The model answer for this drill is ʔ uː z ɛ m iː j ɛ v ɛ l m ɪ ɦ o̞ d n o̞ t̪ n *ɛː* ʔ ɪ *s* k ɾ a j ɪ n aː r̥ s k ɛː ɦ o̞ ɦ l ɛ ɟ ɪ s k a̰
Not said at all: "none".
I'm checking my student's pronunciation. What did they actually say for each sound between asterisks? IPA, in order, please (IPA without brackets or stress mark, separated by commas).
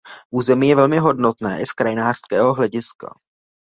ɛː, s